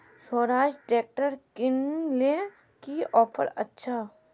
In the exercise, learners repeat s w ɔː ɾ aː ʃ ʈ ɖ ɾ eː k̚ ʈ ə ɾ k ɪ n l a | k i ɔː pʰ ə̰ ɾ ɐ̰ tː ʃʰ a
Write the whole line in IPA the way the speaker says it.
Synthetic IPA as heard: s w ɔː ɾ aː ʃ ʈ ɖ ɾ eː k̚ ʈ ə ɾ k ɪ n l e | k i ɔː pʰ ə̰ ɾ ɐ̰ tː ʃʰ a